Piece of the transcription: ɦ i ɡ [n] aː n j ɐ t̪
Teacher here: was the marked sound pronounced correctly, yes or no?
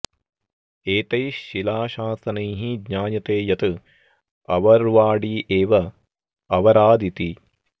no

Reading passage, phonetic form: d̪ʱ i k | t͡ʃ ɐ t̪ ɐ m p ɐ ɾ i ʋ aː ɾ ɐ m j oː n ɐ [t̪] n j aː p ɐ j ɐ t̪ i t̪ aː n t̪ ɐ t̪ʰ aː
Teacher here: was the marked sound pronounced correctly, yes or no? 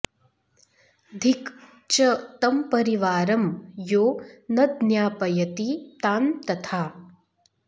no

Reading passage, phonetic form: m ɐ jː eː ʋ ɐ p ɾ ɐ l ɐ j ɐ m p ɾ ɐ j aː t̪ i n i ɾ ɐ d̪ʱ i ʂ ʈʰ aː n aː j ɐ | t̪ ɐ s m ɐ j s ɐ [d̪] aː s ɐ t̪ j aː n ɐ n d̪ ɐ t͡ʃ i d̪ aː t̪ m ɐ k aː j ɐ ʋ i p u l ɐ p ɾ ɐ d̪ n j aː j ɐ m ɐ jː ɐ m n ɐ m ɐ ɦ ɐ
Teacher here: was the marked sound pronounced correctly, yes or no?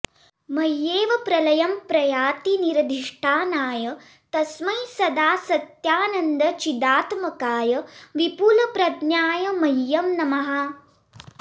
yes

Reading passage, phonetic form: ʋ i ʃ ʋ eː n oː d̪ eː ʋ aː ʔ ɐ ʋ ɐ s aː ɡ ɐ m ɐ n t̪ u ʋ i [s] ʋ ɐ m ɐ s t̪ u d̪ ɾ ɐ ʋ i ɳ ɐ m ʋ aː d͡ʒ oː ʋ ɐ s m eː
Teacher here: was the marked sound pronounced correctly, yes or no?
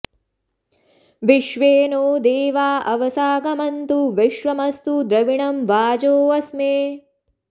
no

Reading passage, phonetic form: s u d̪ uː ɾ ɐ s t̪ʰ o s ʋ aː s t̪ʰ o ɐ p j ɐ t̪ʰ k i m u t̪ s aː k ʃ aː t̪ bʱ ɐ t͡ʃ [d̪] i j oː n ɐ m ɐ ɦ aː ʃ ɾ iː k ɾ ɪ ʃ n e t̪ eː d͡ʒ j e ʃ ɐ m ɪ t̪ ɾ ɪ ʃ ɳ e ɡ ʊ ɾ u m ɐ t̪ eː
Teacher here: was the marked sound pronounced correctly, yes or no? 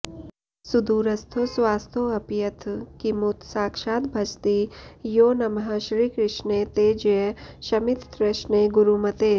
no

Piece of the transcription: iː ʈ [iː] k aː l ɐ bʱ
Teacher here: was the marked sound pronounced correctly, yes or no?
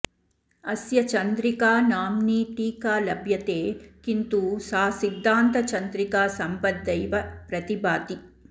yes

